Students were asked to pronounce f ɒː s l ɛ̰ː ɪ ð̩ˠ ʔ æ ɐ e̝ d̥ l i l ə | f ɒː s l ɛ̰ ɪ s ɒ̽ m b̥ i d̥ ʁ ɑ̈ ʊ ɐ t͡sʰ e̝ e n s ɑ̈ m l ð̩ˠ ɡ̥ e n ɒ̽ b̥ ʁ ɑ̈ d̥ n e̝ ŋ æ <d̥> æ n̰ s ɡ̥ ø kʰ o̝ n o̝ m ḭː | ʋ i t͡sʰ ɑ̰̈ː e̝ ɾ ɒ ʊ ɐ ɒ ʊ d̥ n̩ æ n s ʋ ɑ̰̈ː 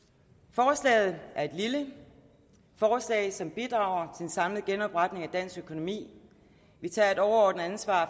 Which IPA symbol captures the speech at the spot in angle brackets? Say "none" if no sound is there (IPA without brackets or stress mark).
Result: d̥